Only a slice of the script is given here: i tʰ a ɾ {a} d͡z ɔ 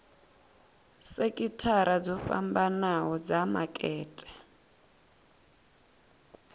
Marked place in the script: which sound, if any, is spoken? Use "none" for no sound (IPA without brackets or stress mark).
a